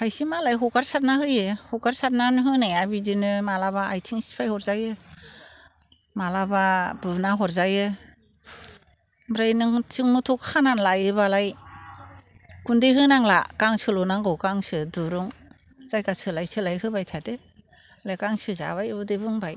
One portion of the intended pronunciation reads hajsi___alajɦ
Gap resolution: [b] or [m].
m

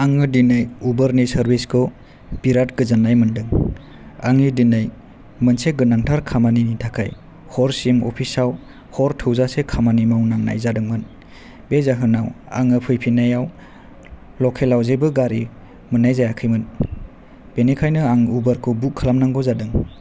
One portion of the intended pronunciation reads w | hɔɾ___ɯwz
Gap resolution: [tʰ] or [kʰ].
tʰ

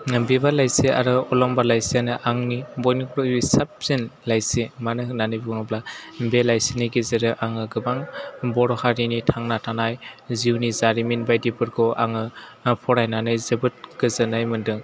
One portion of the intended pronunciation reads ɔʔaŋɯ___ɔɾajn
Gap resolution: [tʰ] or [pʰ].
pʰ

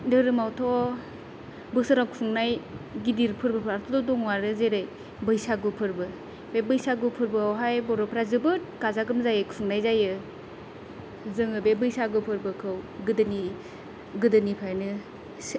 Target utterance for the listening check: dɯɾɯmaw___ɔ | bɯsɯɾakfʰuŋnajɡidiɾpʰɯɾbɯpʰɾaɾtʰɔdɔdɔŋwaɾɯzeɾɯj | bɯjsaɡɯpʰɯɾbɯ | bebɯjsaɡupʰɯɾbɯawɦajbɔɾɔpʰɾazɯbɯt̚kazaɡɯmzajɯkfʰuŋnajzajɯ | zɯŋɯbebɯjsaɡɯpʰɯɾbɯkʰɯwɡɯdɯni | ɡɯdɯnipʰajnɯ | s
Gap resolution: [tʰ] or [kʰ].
tʰ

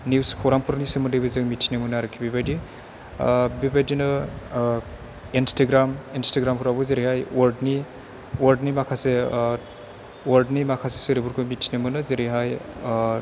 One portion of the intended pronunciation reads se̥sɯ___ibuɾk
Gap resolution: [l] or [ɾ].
ɾ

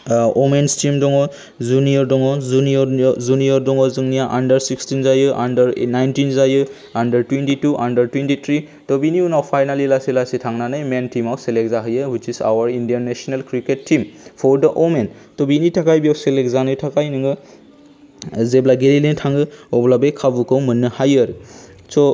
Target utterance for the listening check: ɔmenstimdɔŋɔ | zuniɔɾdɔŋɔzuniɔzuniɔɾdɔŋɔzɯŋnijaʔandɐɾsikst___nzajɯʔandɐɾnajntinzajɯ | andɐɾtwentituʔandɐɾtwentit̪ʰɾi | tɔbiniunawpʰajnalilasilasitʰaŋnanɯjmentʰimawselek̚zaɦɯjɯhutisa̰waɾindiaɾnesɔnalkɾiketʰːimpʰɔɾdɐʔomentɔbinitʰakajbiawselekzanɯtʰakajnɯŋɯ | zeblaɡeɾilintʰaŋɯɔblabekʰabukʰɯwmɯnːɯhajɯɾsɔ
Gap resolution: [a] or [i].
i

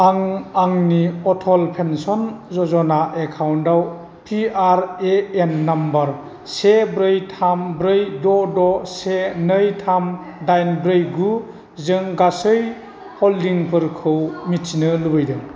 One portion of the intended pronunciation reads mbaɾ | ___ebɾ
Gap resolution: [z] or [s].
s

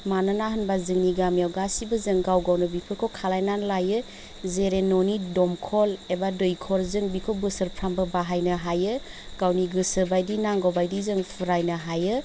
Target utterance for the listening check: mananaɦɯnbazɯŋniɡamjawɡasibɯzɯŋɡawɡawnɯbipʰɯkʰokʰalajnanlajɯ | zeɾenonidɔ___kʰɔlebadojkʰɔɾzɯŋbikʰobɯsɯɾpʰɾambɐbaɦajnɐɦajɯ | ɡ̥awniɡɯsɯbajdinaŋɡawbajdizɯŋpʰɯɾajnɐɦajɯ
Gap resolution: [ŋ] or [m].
m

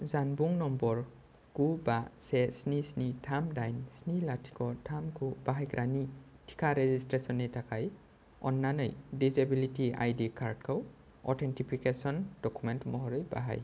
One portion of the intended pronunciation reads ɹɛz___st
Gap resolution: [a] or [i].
i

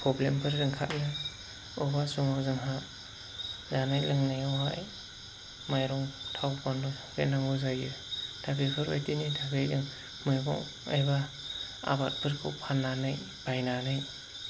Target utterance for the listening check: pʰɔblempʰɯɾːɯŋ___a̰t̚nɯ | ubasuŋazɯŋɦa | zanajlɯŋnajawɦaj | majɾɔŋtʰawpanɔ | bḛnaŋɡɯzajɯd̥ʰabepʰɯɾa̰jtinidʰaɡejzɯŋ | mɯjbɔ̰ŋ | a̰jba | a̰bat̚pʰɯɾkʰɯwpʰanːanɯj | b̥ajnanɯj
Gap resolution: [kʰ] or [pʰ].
kʰ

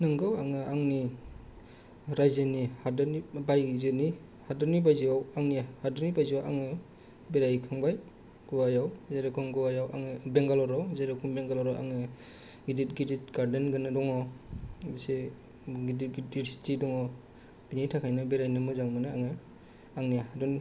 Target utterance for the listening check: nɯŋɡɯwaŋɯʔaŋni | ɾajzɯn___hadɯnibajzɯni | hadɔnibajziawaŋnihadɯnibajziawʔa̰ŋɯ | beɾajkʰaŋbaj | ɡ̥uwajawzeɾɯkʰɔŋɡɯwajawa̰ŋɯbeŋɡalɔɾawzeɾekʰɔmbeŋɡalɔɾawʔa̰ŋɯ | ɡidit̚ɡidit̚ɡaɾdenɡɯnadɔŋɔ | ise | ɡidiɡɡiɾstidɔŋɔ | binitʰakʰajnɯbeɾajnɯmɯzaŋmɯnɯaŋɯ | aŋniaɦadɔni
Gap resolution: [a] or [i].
i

